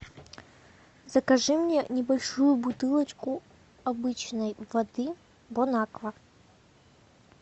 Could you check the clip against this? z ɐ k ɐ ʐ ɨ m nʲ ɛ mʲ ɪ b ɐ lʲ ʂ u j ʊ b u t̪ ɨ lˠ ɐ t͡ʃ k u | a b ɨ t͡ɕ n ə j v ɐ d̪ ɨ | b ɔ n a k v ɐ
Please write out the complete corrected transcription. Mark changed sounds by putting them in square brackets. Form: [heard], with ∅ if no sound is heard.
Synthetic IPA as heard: z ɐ k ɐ ʐ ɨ m nʲ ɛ [nʲ] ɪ b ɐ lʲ ʂ u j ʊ b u t̪ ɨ lˠ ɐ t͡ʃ k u | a b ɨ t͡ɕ n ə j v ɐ d̪ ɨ | b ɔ n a k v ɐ